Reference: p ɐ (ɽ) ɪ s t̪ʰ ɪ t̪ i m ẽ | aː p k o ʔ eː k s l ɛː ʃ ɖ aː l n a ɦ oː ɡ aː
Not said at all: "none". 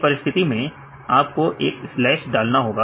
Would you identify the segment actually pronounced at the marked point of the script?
ɾ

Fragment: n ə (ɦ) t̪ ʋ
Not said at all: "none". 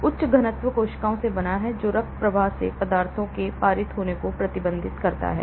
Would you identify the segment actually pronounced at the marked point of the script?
none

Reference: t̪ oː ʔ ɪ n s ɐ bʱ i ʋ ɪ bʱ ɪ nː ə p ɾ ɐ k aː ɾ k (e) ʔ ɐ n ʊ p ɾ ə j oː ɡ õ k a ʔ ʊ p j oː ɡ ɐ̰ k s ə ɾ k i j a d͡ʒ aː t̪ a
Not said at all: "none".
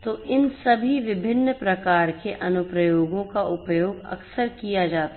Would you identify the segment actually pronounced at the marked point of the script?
e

